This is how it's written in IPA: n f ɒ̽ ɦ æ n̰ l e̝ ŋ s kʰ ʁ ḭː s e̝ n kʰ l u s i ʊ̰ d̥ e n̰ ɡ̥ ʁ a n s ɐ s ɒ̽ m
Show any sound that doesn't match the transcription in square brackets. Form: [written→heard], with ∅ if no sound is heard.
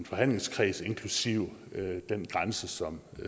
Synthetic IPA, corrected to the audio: n f ɒ̽ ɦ æ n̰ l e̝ ŋ s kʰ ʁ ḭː s e̝ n kʰ l u s i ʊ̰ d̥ e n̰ ɡ̥ ʁ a n s [ɐ→ə] s ɒ̽ m

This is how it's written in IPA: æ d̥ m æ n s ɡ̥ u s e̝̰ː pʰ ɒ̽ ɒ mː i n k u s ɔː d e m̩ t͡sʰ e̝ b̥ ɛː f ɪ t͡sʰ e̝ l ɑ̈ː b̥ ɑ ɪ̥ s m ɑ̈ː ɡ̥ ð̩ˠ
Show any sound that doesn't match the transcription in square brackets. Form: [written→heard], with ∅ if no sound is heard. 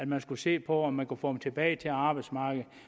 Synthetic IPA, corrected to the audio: æ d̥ m æ n s ɡ̥ u s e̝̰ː pʰ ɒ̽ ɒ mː [i→æ] n k u [s→f] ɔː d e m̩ t͡sʰ e̝ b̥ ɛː [f→∅] ɪ t͡sʰ e̝ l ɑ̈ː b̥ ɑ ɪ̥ s m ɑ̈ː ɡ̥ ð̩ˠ

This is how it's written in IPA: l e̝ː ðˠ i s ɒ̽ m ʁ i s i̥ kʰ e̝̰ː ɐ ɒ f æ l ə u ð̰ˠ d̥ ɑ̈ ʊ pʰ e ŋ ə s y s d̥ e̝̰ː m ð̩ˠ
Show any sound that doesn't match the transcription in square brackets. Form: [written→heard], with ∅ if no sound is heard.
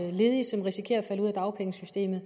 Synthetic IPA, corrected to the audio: l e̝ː ðˠ i s ɒ̽ m ʁ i s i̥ kʰ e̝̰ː ɐ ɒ f æ l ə u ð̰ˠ d̥ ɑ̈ ʊ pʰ e ŋ ə s y s d̥ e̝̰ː m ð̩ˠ

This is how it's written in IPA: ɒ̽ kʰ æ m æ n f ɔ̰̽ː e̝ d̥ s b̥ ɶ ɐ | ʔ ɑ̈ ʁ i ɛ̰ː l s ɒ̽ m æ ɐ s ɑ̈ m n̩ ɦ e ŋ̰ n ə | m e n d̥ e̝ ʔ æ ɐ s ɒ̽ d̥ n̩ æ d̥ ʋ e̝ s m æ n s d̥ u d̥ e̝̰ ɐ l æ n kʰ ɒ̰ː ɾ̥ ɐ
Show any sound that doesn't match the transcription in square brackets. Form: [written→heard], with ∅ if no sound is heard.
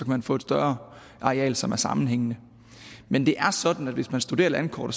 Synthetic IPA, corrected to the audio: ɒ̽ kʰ æ m æ n f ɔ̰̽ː e̝ d̥ s [b̥→d̥] ɶ ɐ | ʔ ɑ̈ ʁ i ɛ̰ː l s ɒ̽ m æ ɐ s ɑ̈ m n̩ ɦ e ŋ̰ n ə | m e n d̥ e̝ ʔ æ ɐ s ɒ̽ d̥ n̩ æ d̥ ʋ e̝ s m æ n s d̥ u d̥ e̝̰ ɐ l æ n kʰ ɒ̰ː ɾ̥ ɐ

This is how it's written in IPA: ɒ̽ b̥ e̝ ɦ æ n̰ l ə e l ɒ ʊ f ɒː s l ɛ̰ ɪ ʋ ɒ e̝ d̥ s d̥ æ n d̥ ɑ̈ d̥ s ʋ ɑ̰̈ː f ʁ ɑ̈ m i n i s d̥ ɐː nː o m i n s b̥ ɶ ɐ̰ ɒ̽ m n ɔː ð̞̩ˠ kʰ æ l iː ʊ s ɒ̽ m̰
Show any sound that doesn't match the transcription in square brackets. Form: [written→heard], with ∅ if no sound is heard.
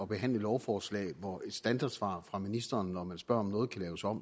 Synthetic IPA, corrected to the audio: ɒ̽ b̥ e̝ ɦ æ n̰ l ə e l ɒ ʊ f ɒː s l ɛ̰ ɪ ʋ ɒ e̝ d̥ s d̥ æ n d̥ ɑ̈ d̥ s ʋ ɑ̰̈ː f ʁ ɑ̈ m i n i s d̥ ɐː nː [o→ɒ] m [i→æ] n s b̥ ɶ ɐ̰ ɒ̽ m n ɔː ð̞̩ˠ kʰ æ l [iː→ɛː] ʊ s ɒ̽ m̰

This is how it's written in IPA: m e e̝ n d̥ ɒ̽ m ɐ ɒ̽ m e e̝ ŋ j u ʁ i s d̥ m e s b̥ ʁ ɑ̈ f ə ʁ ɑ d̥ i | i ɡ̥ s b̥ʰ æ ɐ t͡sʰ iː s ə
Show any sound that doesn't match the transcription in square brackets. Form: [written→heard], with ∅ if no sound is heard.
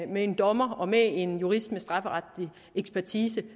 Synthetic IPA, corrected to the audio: m e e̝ n d̥ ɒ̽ m ɐ ɒ̽ m e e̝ [ŋ→n] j u ʁ i s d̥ m e s [b̥→d̥] ʁ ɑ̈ f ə ʁ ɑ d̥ i | [i→e] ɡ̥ s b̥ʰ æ ɐ t͡sʰ iː s ə

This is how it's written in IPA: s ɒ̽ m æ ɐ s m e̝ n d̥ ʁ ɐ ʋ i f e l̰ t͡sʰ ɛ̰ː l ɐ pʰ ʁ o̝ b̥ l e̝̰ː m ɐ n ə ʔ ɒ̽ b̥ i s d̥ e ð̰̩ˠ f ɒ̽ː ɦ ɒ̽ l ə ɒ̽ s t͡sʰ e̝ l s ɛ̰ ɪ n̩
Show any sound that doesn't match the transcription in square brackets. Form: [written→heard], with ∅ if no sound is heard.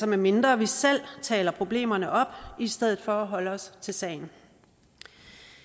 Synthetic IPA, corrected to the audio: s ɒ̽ m æ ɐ [s→∅] m e̝ n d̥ ʁ ɐ ʋ i [f→s] e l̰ t͡sʰ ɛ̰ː l ɐ pʰ ʁ o̝ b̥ l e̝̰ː m ɐ n ə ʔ ɒ̽ b̥ i s d̥ e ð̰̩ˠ f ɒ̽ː ɦ ɒ̽ l ə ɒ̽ s t͡sʰ e̝ l s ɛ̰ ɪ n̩

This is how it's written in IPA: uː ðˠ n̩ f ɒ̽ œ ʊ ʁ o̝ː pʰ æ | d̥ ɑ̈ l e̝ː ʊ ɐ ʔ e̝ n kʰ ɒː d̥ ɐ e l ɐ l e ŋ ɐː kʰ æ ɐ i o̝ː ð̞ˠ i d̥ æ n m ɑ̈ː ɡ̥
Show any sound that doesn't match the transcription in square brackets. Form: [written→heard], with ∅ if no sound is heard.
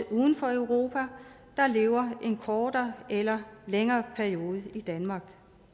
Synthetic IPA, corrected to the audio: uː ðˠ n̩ f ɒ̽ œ ʊ ʁ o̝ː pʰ æ | d̥ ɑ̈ l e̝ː ʊ ɐ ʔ e̝ n kʰ ɒː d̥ ɐ e l ɐ l e ŋ ɐː [kʰ→pʰ] æ ɐ i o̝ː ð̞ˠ i d̥ æ n m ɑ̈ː ɡ̥

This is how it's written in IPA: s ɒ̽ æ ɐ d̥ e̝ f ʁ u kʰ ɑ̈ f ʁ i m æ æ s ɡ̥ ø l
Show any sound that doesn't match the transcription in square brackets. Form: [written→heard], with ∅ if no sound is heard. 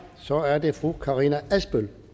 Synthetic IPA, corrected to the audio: s ɒ̽ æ ɐ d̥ e̝ f ʁ u kʰ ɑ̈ [f→∅] ʁ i [m→n] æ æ s [ɡ̥→b̥] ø l

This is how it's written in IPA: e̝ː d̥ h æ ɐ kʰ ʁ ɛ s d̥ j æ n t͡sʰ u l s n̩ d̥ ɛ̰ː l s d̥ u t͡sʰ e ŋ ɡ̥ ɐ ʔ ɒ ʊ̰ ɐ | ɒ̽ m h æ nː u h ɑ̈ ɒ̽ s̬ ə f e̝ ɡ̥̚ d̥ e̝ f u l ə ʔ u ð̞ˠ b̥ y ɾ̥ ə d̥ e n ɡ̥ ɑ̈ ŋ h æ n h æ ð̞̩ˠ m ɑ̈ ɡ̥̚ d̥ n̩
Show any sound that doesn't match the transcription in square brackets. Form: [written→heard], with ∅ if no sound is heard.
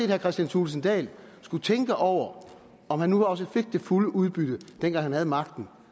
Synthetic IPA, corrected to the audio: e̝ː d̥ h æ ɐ kʰ ʁ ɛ s d̥ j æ n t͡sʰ u l s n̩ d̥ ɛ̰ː l s [d̥→ɡ̥] u t͡sʰ e ŋ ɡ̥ [ɐ→ə] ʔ ɒ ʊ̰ ɐ | ɒ̽ m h æ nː u h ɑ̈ ɒ̽ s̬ ə f e̝ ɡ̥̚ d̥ e̝ f u l ə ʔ u ð̞ˠ b̥ y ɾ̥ ə d̥ e n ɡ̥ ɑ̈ ŋ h æ n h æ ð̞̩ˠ m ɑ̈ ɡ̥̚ d̥ n̩

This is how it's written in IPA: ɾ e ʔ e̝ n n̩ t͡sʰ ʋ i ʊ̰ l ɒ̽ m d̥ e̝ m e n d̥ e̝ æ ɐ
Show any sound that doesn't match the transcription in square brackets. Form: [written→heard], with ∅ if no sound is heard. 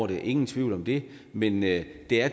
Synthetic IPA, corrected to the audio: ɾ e ʔ e̝ [n→ŋ] n̩ t͡sʰ ʋ i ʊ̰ l ɒ̽ m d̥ e̝ m e n d̥ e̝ æ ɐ

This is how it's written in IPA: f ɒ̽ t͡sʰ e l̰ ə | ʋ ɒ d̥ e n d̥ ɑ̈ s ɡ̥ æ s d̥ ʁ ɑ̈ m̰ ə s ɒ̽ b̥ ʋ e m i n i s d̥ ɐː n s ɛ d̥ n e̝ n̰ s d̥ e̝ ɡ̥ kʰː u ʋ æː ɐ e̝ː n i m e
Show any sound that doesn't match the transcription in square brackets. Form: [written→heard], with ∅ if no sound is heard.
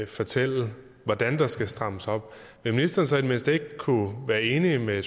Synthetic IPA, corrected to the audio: f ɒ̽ t͡sʰ e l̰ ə | ʋ ɒ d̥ [e→æ] n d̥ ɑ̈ s ɡ̥ æ s d̥ ʁ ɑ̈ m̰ ə s ɒ̽ b̥ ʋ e m i n i s d̥ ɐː n s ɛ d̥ [n→m] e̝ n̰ s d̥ e̝ ɡ̥ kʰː u ʋ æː ɐ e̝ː n i m e

